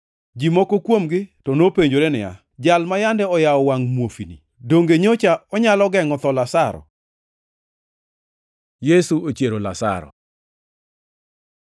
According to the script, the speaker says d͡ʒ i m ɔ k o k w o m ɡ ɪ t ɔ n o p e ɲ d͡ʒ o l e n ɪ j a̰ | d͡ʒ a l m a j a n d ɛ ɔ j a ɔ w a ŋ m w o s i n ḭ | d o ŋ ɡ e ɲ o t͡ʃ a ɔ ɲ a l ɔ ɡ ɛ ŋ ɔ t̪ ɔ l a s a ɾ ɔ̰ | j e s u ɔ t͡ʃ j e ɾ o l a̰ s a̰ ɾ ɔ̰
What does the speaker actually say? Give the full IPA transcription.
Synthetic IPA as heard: d͡ʒ i m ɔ k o k w o m ɡ ɪ t ɔ n o p e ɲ d͡ʒ o ɾ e n ɪ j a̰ | d͡ʒ a l m a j a n d ɛ ɔ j a ɔ w a ŋ m w o f i n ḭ | d o ŋ ɡ e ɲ o t͡ʃ a ɔ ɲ a l ɔ ɡ ɛ ŋ ɔ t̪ ɔ l a s a ɾ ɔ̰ | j e s u o t͡ʃ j e ɾ o l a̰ s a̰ ɾ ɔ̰

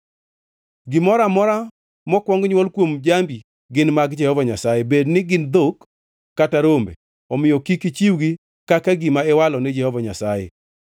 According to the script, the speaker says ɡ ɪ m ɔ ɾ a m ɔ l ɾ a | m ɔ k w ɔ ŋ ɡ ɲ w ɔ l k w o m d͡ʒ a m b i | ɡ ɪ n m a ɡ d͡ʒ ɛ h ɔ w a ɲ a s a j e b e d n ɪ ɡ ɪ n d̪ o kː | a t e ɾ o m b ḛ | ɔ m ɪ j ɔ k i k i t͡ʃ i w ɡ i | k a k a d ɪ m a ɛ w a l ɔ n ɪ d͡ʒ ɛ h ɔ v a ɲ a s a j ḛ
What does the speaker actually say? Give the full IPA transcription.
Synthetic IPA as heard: ɡ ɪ m ɔ ɾ a m ɔ ɾ a | m ɔ k w ɔ ŋ ɡ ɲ w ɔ l k w o m d͡ʒ a m b i | ɡ ɪ n m a ɡ d͡ʒ ɛ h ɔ v a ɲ a s a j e b e d n ɪ ɡ ɪ n d̪ o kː | a t a ɾ o m b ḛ | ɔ m ɪ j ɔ k i k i t͡ʃ i w ɡ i | k a k a ɡ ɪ m a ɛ w a l ɔ n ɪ d͡ʒ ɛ h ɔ v a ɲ a s a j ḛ

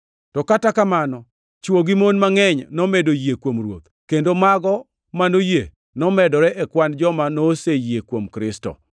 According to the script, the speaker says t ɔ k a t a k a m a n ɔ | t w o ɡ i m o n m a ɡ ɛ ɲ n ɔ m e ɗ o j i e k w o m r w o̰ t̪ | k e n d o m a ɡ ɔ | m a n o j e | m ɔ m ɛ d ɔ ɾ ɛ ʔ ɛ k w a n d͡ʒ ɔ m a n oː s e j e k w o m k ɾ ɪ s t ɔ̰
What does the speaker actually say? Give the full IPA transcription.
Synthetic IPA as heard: t ɔ k a t a k a m a n ɔ | t͡ʃ w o ɡ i m o n m a ŋ ɛ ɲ n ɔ m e d o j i e k w o m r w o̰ t̪ | k e n d o m a ɡ ɔ | m a n o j e | n ɔ m ɛ d ɔ ɾ ɛ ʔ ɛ k w a n d͡ʒ ɔ m a n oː s e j e k w o m k ɾ ɪ s t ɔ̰

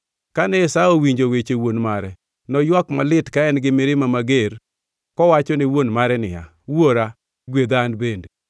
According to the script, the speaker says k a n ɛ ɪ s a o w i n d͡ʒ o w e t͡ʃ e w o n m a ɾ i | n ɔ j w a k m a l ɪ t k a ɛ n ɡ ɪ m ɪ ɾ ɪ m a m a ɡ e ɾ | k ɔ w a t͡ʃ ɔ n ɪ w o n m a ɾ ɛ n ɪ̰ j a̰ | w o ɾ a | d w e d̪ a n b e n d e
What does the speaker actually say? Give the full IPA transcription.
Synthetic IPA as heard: k a n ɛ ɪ s a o w i ɲ d͡ʒ o w e t͡ʃ e w o n m a ɾ ɛ | n ɔ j w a k m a l ɪ t k a ɛ n ɡ ɪ m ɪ ɾ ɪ m a m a ɡ e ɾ | k ɔ w a t͡ʃ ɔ n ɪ w o n m a ɾ ɛ n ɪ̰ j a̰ | w o ɾ a | ɡ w e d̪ a n b e n d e

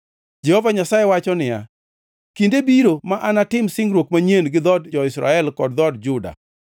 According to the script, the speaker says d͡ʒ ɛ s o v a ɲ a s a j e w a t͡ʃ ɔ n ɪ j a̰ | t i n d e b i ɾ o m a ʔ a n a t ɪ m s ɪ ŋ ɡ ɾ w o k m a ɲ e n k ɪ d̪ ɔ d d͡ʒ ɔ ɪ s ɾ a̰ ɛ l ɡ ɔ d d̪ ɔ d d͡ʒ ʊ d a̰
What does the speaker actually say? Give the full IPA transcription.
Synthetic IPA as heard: d͡ʒ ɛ h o v a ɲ a s a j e w a t͡ʃ ɔ n ɪ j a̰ | k i n d e b i ɾ o m a ʔ a n a t ɪ m s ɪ ŋ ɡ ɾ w o k m a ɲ e n ɡ ɪ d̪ ɔ d d͡ʒ ɔ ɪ s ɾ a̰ ɛ l k ɔ d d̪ ɔ d d͡ʒ ʊ d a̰

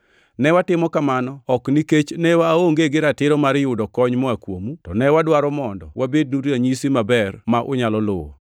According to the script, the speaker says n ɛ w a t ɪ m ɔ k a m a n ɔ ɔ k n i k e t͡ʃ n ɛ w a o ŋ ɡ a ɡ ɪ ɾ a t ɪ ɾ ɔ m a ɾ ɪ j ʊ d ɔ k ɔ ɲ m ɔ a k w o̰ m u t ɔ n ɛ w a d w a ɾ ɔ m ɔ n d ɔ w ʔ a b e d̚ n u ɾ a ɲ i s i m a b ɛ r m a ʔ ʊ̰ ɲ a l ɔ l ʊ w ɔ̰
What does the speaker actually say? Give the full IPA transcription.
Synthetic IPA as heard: n ɛ w a t ɪ m ɔ k a m a n ɔ ɔ k n i k e t͡ʃ n ɛ w a o ŋ ɡ e ɡ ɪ ɾ a t ɪ ɾ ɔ m a ɾ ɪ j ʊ d ɔ k ɔ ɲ m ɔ a k w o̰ m u t ɔ n ɛ w a d w a ɾ ɔ m ɔ n d ɔ w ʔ a b e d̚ n u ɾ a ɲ i s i m a b ɛ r m a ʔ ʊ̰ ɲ a l ɔ l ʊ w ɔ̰

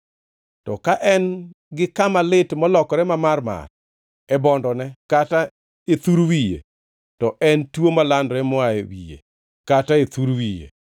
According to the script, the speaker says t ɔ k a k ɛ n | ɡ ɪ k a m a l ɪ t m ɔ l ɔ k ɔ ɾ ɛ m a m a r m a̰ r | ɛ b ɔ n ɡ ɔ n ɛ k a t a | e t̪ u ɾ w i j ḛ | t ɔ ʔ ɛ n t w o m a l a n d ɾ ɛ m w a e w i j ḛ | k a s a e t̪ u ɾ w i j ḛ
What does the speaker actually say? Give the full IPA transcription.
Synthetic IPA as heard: t ɔ k a ʔ ɛ n | ɡ ɪ k a m a l ɪ t m ɔ l ɔ k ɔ ɾ ɛ m a m a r m a̰ r | ɛ b ɔ n d ɔ n ɛ k a t a | e t̪ u ɾ w i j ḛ | t ɔ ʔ ɛ n t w o m a l a n d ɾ ɛ m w a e w i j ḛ | k a t a e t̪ u ɾ w i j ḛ

